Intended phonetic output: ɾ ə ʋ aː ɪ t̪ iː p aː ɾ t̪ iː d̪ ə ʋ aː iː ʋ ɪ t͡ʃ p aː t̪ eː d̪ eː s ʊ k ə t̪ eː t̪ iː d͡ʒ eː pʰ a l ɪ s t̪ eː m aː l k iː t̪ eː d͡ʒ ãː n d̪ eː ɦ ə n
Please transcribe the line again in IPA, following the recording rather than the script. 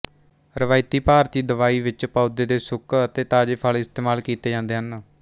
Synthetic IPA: ɾ ə ʋ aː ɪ t̪ iː p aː ɾ t̪ iː d̪ ə ʋ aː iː ʋ ɪ t͡ʃ p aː d̪ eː d̪ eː s ʊ k ə t̪ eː t̪ aː d͡ʒ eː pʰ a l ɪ s t̪ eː m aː l k iː t̪ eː d͡ʒ ãː n d̪ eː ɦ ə n